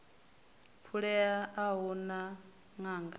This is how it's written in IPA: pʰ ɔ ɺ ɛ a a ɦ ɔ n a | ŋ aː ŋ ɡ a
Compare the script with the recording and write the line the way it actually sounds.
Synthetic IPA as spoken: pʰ u ɺ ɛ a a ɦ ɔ n a | ŋ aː ŋ ɡ a